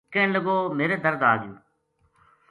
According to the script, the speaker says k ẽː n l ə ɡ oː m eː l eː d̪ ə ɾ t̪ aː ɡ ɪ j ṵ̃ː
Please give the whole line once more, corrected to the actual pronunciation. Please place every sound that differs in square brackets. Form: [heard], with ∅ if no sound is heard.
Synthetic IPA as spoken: k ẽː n l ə ɡ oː m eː [ɾ] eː d̪ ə ɾ [d̪] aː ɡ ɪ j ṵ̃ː